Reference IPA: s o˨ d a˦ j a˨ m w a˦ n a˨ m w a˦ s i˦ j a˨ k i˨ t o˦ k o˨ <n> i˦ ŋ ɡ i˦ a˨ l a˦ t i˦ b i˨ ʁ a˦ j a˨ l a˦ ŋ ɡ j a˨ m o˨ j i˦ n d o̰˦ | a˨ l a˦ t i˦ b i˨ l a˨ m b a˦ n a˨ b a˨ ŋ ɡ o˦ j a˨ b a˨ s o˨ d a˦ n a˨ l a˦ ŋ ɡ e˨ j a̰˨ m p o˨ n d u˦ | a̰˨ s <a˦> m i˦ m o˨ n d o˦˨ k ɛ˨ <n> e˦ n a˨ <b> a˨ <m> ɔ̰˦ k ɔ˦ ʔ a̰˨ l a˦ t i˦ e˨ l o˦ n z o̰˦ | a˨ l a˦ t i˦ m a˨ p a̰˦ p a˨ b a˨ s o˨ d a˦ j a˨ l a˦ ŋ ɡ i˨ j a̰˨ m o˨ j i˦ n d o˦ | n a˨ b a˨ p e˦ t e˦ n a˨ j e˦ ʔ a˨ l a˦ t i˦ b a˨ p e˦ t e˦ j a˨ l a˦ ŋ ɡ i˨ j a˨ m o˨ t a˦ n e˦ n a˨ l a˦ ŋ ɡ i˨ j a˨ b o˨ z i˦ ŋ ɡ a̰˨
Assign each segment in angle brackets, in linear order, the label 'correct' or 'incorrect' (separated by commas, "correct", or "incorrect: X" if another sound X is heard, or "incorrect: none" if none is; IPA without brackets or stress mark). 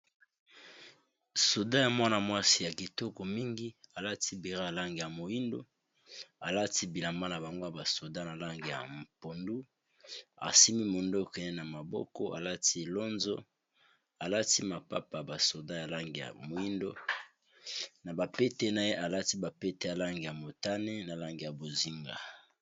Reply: incorrect: m, incorrect: i˦, correct, incorrect: m, incorrect: b